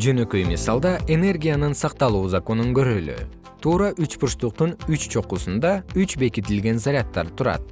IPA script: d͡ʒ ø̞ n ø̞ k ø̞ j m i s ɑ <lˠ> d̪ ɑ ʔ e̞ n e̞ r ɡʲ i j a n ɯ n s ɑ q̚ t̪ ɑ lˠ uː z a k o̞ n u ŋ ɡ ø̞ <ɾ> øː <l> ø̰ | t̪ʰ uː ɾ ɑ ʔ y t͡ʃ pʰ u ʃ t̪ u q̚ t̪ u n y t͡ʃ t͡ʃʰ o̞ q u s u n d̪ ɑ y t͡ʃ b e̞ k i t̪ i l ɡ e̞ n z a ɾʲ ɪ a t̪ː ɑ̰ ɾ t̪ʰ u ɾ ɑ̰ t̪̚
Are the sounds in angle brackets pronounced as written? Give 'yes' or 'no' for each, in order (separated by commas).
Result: yes, yes, yes